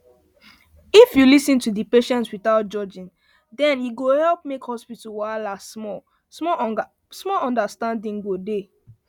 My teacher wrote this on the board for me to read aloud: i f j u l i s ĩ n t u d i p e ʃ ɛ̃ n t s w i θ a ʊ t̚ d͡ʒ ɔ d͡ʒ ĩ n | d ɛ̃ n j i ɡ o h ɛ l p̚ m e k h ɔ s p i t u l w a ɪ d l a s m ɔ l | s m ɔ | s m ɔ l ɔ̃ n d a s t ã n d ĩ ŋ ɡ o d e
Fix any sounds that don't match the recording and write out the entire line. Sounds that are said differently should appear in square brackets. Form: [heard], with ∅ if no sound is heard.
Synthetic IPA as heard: i f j u l i s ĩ n t u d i p e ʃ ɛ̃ n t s w i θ a ʊ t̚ d͡ʒ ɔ d͡ʒ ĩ n | d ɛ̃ n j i ɡ o h ɛ l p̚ m e k h ɔ s p i t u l w a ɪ [∅] l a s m ɔ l | s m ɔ | s m ɔ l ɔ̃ n d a s t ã n d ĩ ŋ ɡ o d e